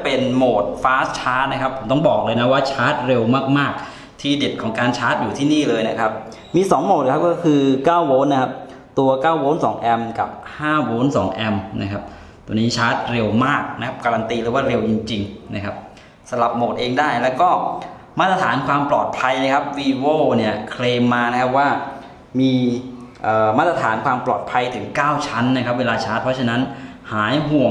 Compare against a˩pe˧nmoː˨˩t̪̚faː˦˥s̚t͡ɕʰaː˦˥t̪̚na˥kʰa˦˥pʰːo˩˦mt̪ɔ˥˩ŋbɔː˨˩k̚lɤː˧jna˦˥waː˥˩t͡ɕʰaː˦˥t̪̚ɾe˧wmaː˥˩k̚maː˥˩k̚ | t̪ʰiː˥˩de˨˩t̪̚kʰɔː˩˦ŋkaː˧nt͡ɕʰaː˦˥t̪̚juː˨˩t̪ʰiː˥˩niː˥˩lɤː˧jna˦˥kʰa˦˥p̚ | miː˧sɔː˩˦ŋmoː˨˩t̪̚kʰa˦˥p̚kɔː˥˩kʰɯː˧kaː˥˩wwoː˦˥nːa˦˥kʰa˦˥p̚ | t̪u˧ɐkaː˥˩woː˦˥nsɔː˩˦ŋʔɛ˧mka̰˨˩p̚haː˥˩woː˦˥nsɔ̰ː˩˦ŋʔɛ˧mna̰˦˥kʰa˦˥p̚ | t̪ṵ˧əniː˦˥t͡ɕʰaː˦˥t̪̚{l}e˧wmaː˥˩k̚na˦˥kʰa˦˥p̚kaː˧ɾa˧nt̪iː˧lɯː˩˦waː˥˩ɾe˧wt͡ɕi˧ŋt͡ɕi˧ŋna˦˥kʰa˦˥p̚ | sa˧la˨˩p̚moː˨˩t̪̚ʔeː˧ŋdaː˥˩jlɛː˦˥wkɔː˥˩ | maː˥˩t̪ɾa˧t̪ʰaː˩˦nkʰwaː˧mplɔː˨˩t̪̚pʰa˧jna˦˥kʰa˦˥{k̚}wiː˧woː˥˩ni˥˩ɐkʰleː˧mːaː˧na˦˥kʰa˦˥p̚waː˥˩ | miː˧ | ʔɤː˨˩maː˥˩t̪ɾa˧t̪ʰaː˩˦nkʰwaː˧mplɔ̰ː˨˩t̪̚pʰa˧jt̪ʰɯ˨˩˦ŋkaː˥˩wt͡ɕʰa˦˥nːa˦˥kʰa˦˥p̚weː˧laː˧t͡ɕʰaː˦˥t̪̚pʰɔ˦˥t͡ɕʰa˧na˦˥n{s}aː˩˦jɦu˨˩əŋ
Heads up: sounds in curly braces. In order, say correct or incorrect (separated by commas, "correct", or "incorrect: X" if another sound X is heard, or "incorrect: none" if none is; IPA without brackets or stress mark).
incorrect: ɾ, incorrect: p̚, incorrect: h